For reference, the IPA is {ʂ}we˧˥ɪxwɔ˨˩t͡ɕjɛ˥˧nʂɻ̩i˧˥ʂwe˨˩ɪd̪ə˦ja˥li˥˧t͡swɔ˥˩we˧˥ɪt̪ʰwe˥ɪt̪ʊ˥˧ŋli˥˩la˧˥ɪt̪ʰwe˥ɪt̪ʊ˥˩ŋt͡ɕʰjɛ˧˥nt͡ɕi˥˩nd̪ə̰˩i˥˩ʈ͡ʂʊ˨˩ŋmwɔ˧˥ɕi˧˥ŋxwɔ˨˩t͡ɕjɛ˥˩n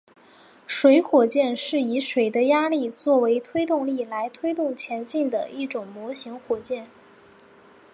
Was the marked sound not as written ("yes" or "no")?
no